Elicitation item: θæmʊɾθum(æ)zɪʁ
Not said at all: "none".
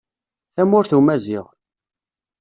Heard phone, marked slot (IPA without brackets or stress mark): æ